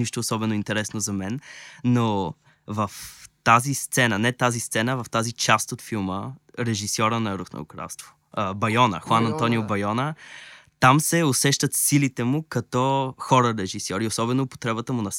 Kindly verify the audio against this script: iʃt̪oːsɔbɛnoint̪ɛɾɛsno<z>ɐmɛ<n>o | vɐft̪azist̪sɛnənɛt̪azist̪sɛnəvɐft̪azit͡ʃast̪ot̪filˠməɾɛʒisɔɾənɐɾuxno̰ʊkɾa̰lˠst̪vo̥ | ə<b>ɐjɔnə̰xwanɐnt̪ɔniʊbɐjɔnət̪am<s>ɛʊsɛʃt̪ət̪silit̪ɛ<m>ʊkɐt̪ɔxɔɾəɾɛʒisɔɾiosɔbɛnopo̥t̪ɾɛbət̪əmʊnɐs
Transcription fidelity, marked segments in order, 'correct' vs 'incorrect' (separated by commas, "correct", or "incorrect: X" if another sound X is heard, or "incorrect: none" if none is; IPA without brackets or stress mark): correct, incorrect: nː, correct, correct, correct